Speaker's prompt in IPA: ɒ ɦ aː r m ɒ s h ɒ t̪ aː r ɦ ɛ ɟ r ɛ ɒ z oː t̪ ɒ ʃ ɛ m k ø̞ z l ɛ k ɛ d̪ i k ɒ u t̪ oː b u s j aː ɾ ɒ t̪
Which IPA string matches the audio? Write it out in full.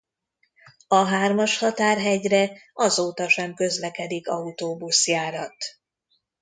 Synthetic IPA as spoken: ɒ ɦ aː r m ɒ ʃ h ɒ t̪ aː r ɦ ɛ ɟ r ɛ ɒ z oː t̪ ɒ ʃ ɛ m k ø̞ z l ɛ k ɛ d̪ i k ɒ u t̪ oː b u s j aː ɾ ɒ t̪